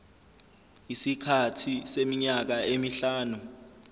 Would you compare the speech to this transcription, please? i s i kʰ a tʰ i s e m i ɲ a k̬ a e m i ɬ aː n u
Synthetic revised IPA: i s i kʰ a tʰ i s e m i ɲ a k̬ a e m i ɬ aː n u